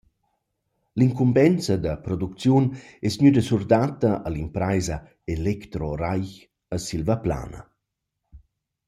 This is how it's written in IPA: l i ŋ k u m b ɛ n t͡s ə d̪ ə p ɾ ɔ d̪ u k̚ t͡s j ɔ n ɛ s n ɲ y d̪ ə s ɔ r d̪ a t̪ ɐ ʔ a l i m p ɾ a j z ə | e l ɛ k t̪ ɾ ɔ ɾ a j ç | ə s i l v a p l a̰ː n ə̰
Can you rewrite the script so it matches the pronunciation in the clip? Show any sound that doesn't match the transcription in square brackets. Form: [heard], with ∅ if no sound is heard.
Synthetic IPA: l i ŋ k u m b ɛ n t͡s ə d̪ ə p ɾ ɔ d̪ u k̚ t͡s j [u] n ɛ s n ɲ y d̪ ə s [u] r d̪ a t̪ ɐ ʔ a l i m p ɾ a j z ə | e l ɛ k t̪ ɾ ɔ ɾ a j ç | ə s i l v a p l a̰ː n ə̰